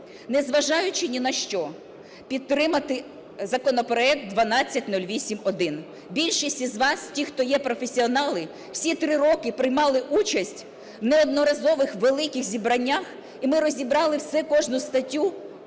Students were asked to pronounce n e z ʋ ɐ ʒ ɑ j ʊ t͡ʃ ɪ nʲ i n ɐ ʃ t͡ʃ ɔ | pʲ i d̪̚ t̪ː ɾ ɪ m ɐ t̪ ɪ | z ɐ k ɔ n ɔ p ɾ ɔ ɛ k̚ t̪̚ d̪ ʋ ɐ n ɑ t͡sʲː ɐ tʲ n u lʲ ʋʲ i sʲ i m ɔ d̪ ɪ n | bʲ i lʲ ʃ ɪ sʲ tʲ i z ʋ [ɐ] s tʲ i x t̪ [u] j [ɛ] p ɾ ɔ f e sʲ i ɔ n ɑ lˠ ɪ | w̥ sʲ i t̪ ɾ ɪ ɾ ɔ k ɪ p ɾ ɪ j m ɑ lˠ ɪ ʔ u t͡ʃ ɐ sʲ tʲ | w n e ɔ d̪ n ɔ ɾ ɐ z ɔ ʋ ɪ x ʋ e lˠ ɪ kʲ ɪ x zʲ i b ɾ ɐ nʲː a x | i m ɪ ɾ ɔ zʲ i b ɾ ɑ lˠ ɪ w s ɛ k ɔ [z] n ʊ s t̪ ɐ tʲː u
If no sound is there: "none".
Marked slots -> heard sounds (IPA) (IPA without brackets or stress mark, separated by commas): ɑ, ɔ, ɛ, ʒ